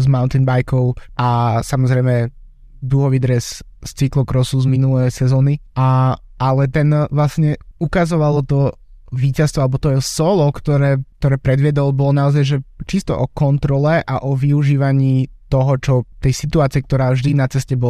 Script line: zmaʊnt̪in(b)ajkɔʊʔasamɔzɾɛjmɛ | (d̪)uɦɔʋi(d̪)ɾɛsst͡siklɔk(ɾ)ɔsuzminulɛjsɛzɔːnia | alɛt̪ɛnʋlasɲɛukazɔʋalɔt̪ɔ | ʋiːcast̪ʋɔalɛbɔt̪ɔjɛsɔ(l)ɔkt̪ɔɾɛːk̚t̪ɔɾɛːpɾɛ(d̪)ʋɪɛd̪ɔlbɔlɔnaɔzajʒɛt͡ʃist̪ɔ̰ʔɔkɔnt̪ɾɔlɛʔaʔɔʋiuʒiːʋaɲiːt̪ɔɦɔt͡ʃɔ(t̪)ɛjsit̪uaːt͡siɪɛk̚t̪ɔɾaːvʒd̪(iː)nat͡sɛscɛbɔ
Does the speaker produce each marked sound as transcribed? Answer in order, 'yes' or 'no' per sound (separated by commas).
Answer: yes, yes, yes, yes, yes, yes, yes, no